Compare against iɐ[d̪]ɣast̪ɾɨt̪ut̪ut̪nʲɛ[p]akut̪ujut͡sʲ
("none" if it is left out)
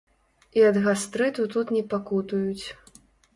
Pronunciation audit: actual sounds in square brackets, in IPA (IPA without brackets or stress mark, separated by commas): d̪, p